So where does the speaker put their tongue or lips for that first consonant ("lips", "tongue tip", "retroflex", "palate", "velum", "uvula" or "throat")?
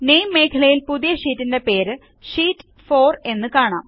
tongue tip